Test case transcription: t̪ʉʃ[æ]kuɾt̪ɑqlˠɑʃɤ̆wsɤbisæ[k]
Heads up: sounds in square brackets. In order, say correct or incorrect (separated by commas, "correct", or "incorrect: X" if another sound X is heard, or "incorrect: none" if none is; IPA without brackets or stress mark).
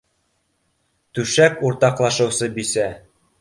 correct, incorrect: none